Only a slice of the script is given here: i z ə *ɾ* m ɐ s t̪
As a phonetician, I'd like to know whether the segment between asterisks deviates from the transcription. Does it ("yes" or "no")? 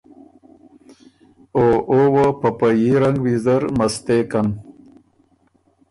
no